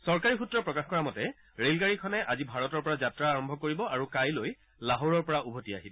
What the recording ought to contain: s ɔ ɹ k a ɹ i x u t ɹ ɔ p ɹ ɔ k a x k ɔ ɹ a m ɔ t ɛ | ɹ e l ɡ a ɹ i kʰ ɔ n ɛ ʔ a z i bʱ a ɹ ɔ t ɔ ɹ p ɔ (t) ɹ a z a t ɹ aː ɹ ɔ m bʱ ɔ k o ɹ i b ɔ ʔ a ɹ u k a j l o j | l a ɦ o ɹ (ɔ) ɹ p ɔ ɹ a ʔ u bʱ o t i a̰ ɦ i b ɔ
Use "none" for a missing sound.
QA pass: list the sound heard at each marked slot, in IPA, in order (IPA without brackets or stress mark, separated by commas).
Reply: none, ɔ